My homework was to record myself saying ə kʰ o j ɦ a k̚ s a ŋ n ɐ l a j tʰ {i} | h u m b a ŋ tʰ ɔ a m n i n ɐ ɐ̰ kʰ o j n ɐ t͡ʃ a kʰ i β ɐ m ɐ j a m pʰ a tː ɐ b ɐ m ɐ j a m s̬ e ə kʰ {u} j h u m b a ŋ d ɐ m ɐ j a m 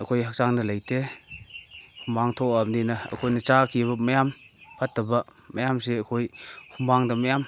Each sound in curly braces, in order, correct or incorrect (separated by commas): incorrect, incorrect